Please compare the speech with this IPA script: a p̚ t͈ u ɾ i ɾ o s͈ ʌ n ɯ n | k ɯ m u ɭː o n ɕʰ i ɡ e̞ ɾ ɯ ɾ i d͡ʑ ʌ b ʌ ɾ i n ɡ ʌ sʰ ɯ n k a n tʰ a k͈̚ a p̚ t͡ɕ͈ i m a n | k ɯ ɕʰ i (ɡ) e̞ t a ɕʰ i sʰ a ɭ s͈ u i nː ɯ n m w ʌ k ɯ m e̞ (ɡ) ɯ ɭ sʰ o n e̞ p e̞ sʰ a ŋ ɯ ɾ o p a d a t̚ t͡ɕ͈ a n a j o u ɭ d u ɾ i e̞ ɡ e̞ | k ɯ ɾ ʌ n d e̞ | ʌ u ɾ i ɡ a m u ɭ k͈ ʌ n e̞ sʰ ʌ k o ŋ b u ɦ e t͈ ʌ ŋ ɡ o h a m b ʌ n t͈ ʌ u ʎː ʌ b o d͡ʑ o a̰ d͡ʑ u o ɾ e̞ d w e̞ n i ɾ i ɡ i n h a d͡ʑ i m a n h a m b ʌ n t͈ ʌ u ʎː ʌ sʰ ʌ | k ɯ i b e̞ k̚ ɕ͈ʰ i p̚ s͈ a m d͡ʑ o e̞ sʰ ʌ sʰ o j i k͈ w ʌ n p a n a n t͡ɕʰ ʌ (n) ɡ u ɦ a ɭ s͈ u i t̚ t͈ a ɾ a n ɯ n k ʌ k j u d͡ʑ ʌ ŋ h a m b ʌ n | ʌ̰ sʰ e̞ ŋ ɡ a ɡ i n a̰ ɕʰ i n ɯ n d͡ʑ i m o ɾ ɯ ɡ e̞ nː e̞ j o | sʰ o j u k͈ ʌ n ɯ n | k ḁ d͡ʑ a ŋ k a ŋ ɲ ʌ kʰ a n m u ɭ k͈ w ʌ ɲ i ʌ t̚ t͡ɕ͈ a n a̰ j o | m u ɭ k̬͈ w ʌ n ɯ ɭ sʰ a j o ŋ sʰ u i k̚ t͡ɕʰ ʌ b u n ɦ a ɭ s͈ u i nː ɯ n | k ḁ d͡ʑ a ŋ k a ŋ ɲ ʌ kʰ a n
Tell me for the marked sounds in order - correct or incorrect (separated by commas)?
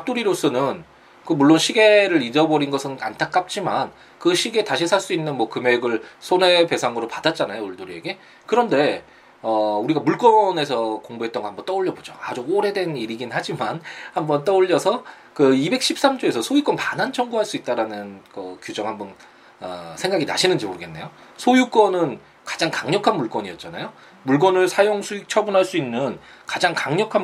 correct, correct, incorrect